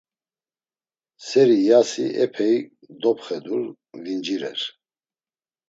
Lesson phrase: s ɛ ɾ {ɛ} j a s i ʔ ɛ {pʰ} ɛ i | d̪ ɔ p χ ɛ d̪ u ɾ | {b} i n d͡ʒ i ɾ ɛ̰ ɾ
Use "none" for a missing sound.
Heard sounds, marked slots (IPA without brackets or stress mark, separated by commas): i, pʰ, v